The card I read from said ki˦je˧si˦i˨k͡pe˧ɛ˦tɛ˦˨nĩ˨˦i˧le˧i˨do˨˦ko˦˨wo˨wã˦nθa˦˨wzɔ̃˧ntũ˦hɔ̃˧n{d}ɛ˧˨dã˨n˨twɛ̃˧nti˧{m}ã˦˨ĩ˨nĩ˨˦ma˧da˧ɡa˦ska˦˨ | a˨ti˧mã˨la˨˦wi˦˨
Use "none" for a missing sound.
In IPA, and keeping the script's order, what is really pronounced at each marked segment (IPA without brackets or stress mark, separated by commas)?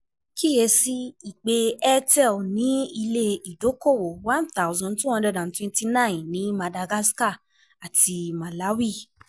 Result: d, n